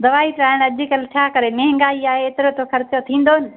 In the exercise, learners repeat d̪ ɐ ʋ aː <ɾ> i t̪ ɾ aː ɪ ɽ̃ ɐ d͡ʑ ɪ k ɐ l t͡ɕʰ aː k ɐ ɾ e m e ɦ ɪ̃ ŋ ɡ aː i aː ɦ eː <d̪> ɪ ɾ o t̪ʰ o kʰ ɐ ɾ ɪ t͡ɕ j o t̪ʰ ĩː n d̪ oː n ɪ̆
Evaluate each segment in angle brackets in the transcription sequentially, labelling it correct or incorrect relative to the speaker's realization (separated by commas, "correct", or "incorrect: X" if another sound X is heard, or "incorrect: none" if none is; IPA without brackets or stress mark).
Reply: incorrect: none, incorrect: t̪